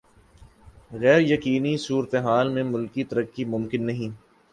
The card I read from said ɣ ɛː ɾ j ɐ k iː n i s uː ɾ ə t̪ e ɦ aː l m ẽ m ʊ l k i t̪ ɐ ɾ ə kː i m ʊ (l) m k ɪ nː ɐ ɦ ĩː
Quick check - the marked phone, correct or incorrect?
incorrect